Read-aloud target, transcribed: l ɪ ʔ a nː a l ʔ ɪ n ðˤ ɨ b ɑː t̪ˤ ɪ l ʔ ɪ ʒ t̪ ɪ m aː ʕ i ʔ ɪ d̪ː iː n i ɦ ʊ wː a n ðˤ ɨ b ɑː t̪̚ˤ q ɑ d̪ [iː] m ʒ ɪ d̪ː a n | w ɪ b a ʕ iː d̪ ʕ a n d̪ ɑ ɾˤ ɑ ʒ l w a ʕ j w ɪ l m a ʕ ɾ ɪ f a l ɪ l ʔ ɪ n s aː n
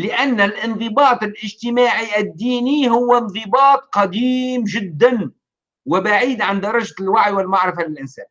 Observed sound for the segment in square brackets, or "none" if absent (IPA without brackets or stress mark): iː